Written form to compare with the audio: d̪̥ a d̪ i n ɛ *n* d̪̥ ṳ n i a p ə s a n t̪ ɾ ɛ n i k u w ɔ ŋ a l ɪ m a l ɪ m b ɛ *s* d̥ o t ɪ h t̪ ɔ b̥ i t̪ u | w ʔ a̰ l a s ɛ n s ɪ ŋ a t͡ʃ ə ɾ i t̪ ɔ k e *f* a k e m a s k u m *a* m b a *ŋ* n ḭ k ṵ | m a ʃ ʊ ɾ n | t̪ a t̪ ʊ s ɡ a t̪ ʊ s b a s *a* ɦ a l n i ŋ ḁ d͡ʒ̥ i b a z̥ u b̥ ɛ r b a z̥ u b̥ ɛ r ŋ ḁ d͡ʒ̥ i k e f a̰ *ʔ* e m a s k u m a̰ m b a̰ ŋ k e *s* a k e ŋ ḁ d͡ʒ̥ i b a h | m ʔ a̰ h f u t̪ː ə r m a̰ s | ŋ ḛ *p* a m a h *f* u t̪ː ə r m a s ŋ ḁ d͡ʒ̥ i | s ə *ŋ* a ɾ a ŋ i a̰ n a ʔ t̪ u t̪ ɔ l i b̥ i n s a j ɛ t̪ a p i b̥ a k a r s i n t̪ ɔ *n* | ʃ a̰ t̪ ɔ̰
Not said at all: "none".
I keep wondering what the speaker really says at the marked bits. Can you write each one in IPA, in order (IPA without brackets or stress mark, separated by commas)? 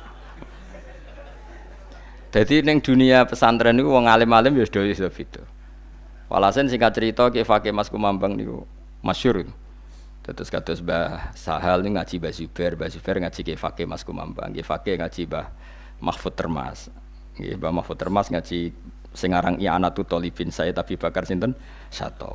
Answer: ŋ, s, f, a, ŋ, a, k, f, b, f, ŋ, n